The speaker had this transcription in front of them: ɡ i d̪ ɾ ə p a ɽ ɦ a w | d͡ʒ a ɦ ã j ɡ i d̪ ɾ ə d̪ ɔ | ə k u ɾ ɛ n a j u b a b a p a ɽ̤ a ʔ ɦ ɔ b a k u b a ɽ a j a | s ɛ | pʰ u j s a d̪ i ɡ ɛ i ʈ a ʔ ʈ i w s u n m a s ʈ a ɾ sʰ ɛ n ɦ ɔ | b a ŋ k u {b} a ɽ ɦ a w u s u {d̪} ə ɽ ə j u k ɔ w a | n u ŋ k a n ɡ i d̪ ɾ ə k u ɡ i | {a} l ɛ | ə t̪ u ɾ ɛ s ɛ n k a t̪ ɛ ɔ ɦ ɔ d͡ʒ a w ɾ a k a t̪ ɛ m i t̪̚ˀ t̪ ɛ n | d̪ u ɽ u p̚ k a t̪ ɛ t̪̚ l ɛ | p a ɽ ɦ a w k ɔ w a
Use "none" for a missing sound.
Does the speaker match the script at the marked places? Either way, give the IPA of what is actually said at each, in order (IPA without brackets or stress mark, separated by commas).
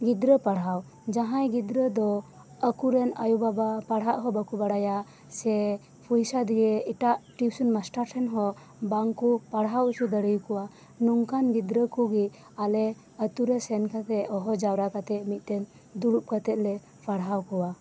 p, d̪, a